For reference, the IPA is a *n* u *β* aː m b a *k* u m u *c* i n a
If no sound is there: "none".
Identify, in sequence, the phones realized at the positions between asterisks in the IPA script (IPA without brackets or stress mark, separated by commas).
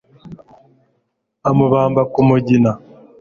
m, β, k, ɟ